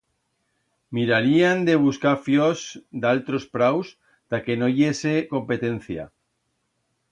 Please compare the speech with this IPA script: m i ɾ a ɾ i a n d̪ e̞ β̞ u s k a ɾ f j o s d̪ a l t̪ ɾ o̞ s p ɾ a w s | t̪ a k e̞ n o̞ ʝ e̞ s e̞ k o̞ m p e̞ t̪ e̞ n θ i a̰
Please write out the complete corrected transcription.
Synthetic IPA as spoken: m i ɾ a ɾ i a n d̪ e̞ β̞ u s k a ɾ f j o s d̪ a l t̪ ɾ o̞ s p ɾ a w s | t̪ a k e̞ n o̞ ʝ e̞ s e̞ k o̞ m p e̞ t̪ e̞ n θ j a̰